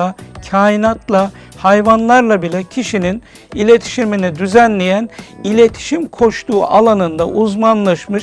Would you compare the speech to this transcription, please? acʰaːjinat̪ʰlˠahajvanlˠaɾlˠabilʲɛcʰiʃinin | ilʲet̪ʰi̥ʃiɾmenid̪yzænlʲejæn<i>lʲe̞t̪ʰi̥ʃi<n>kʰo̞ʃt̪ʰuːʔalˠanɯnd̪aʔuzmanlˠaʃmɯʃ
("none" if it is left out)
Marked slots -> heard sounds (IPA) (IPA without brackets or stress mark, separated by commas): i, m